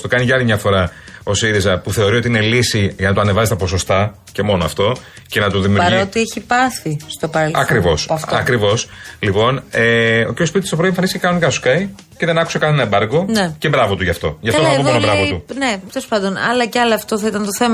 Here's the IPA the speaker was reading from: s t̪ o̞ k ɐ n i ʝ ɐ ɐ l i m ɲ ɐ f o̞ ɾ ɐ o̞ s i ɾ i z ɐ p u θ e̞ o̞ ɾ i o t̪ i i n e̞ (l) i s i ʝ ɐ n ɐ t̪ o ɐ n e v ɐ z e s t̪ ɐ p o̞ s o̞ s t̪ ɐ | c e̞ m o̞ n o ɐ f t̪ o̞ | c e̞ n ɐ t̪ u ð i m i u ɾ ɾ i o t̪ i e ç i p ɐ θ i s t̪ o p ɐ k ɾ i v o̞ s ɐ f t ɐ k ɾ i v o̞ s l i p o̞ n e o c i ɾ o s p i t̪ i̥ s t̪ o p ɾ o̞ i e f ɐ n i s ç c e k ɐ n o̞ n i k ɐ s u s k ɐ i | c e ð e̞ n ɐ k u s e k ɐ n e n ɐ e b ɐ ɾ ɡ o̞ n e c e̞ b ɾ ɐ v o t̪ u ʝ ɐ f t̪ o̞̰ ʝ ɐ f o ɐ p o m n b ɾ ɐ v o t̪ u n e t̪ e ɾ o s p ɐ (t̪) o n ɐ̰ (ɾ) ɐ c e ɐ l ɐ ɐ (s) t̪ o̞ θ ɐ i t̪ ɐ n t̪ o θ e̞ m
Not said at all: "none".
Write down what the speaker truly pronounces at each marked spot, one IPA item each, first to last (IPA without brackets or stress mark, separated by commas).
l, d̪, l, f